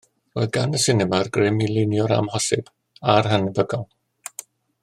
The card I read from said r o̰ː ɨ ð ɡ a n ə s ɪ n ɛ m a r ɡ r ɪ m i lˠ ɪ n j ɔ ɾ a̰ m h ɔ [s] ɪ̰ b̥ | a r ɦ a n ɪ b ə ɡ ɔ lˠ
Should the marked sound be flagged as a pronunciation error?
no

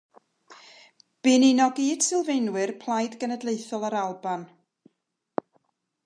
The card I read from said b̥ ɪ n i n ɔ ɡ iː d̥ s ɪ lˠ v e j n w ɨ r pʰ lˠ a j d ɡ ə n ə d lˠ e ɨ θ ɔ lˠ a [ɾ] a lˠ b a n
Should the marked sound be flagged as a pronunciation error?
no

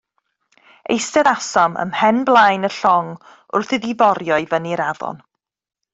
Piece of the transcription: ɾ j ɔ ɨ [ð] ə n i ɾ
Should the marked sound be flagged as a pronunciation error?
yes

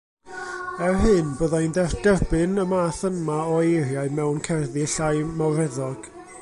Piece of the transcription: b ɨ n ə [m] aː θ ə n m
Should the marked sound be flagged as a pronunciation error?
no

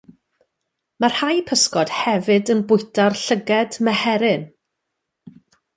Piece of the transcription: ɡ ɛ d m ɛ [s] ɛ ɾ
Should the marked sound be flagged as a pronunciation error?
yes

